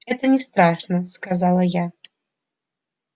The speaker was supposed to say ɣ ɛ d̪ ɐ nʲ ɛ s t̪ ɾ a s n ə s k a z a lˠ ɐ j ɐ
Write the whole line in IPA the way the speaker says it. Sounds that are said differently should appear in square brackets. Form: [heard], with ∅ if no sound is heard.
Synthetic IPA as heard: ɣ ɛ [t̪] ɐ nʲ ɛ s t̪ ɾ a [ʂ] n [ɐ] s k a z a lˠ ɐ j [a]